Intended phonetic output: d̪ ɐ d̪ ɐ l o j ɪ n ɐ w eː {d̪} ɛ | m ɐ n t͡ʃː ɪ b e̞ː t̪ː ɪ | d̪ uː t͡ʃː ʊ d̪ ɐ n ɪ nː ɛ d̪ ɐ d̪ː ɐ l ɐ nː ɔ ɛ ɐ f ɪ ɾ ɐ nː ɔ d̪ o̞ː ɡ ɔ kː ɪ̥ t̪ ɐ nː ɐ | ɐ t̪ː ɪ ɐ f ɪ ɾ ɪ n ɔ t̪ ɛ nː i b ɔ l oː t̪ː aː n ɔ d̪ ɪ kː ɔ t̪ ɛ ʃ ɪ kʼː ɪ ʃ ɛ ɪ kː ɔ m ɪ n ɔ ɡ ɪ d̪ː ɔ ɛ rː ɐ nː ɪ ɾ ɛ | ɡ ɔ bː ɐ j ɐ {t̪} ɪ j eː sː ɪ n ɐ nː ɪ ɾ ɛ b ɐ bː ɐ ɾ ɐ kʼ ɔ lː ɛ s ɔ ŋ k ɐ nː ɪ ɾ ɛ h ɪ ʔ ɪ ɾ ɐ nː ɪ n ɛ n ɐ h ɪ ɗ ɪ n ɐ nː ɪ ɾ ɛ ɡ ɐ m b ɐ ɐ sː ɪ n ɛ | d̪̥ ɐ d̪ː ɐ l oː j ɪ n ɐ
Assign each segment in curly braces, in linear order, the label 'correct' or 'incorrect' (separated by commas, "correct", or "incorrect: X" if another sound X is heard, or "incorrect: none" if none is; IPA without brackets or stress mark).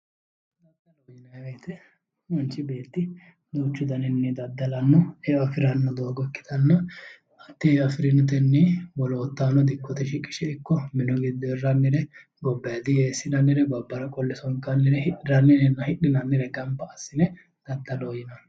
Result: incorrect: t̪, incorrect: d̪